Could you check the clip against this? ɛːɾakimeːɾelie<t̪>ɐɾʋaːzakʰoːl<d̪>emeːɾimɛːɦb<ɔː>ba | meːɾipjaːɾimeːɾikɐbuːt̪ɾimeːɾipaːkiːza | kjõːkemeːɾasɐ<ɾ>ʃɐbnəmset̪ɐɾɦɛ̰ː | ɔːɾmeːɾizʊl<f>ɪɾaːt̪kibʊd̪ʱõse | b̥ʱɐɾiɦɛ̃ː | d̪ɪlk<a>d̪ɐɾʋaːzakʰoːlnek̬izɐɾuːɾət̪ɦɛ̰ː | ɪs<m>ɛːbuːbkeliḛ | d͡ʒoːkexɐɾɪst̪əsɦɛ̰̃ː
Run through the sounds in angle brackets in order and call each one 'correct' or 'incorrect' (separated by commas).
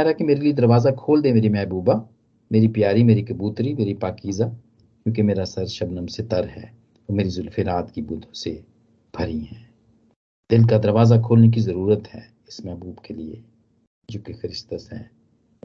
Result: incorrect, correct, incorrect, correct, correct, correct, correct